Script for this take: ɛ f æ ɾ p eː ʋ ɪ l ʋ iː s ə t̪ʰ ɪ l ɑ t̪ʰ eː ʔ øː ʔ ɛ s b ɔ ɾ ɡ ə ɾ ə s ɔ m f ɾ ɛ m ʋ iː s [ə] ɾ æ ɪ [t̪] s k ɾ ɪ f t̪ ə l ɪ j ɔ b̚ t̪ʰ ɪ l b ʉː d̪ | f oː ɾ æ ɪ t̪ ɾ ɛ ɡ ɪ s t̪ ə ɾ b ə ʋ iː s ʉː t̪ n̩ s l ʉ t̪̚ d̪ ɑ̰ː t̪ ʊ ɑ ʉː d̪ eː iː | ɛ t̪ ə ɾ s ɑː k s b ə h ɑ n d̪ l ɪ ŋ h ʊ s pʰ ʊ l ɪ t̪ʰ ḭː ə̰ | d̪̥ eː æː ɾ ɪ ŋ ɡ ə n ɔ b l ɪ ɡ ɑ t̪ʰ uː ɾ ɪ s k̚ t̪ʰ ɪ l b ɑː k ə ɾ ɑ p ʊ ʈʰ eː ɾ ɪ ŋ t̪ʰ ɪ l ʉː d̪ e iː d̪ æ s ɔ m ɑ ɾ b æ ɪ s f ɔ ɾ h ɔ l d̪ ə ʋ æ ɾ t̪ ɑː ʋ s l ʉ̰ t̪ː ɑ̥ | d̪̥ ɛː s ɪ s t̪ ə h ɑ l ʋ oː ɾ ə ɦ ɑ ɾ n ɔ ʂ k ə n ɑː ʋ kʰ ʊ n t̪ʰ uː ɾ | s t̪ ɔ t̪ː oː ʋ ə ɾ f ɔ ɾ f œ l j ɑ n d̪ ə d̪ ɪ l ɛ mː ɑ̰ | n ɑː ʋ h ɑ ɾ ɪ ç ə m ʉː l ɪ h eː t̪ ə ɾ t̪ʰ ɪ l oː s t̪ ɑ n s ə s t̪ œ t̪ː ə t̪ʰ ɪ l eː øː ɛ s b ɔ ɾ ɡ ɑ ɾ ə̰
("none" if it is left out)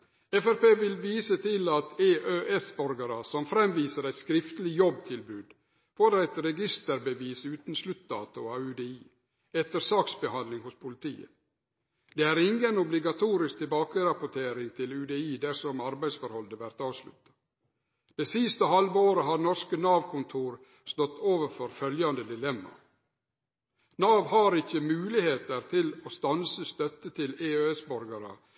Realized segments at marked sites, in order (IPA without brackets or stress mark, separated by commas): ə, t̪